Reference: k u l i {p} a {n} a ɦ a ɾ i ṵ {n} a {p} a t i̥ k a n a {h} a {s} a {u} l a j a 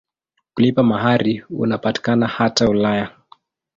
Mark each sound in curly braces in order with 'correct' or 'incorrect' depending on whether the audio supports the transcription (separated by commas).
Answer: correct, incorrect, correct, correct, correct, incorrect, correct